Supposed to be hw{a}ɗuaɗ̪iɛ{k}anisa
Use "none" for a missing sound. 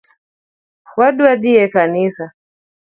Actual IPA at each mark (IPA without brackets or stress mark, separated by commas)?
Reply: a, k